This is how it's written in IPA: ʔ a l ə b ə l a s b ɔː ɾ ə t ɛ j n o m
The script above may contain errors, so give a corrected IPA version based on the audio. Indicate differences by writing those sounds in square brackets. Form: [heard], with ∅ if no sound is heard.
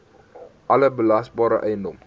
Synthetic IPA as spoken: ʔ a l ə b ə l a s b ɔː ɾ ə [ʔ] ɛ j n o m